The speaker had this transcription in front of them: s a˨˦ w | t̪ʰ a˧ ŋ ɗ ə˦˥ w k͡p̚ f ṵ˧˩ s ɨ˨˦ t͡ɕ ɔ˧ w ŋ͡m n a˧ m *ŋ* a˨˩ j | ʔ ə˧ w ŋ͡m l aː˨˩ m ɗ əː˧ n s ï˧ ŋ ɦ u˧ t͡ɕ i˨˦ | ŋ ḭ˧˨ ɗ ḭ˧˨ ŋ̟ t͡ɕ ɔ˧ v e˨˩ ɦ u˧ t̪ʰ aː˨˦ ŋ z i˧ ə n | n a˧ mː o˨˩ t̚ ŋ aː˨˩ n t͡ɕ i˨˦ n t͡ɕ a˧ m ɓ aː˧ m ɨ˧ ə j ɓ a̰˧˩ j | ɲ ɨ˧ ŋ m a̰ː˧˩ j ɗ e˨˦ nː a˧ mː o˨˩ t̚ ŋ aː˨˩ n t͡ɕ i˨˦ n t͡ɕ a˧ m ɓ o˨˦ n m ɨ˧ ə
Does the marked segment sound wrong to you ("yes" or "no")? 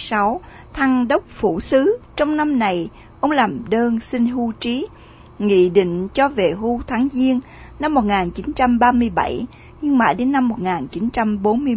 yes